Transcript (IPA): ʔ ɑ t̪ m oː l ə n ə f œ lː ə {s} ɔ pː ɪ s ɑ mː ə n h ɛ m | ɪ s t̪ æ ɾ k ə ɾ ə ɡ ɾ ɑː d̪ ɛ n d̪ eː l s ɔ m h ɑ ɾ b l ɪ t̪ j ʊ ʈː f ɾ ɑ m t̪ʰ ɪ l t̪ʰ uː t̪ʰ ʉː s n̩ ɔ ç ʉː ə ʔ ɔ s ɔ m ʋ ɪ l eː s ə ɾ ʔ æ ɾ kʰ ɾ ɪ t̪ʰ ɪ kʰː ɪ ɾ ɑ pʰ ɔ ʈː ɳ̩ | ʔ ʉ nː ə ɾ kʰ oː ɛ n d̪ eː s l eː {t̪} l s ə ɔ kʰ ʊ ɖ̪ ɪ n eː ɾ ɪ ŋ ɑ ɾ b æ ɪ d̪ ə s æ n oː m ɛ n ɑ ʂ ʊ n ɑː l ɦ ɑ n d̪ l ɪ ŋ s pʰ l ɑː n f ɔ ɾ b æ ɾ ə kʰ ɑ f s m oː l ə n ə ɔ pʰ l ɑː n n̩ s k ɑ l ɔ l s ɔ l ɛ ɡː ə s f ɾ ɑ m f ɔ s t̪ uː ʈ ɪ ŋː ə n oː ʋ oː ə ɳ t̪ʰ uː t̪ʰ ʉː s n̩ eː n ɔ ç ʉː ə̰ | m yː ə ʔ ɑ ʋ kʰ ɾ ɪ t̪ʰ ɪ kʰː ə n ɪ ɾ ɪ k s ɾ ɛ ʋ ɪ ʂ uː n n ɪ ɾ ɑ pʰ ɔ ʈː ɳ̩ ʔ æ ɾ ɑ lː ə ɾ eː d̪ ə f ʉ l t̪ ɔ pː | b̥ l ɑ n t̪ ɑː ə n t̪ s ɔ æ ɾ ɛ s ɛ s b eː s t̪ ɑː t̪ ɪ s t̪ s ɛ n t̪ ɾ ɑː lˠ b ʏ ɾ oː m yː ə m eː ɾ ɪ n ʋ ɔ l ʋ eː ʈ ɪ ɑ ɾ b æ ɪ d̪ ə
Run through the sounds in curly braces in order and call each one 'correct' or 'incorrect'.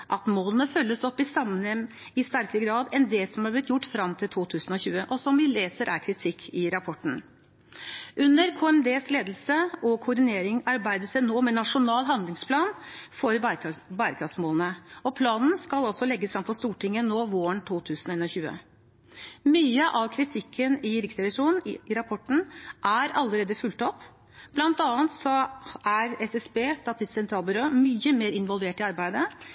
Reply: correct, incorrect: d̪

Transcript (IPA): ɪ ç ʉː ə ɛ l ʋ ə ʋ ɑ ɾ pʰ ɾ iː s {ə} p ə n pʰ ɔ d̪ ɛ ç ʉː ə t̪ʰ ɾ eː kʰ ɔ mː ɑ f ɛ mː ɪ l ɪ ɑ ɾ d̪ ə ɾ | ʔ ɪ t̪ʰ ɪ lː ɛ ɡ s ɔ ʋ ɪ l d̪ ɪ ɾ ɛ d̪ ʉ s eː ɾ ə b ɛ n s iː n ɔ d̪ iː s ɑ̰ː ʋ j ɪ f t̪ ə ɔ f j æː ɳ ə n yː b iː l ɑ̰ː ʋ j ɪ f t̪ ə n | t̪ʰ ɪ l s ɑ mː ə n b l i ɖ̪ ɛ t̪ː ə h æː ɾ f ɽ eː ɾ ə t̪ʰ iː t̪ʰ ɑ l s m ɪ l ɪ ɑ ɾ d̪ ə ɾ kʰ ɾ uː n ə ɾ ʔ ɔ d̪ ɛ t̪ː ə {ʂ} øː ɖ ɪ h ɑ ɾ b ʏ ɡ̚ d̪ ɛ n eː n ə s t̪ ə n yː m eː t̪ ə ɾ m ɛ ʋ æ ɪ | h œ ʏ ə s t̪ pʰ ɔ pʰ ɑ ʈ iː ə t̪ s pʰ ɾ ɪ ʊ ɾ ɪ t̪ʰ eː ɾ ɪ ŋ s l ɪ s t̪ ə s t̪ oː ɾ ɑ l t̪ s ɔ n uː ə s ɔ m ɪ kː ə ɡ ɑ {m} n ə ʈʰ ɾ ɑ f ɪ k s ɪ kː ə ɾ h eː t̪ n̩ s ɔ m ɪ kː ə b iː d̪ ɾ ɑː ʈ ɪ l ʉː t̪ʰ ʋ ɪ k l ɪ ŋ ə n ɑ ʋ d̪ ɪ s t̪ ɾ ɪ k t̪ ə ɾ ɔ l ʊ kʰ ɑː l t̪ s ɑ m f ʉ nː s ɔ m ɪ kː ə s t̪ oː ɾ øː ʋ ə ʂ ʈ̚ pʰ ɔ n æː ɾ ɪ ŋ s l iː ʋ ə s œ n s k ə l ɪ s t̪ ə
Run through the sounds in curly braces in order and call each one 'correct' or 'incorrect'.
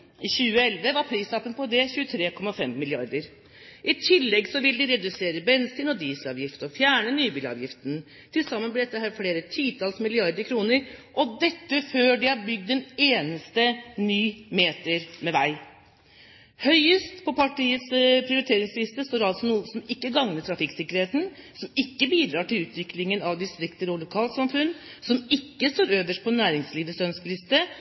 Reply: incorrect: ɑ, incorrect: f, incorrect: ŋ

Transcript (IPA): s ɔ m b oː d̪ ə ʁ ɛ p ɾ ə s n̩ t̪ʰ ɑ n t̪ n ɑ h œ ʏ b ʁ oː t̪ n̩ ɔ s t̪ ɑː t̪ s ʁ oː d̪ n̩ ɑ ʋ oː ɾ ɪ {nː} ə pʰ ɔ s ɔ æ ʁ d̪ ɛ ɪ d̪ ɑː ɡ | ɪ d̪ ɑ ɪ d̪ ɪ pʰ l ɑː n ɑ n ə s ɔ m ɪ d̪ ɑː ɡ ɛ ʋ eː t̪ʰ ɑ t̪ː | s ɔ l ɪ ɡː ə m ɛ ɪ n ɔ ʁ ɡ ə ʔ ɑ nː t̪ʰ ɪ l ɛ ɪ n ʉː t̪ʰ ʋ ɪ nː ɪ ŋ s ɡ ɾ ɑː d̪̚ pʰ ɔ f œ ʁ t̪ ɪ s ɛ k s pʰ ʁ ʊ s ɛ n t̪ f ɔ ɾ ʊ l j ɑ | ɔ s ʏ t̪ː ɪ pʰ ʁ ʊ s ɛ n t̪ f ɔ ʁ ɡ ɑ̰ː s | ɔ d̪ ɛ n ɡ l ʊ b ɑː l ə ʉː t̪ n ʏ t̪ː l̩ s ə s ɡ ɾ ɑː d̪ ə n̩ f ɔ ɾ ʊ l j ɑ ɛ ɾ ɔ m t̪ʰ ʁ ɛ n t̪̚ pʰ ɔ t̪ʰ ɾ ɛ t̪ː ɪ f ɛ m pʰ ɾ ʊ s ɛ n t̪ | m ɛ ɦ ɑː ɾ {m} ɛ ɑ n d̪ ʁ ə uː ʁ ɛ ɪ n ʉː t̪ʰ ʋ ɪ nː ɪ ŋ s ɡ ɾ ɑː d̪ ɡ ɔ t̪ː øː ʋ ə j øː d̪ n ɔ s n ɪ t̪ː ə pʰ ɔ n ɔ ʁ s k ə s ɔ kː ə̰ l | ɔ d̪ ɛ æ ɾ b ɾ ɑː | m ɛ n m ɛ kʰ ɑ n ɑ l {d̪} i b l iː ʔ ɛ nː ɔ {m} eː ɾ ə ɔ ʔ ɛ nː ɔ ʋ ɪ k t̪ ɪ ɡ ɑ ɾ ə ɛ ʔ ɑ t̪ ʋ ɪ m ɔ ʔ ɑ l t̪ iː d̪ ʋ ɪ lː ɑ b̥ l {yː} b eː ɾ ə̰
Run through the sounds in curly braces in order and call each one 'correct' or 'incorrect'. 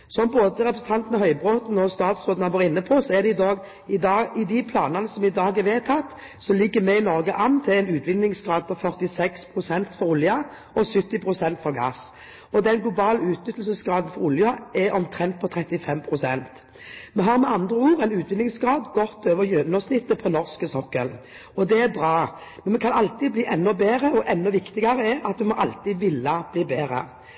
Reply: correct, correct, incorrect: t̪, incorrect: b, incorrect: iː

